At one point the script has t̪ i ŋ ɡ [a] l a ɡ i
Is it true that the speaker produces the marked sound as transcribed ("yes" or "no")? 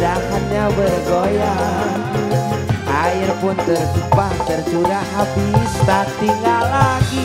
yes